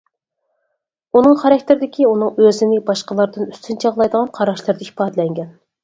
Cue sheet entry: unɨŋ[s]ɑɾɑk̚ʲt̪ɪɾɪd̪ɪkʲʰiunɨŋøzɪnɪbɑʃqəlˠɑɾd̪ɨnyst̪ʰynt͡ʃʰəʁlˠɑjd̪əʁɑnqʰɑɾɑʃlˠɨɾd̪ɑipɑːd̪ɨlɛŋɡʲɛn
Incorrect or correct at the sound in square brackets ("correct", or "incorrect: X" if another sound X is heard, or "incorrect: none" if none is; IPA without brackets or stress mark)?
incorrect: χ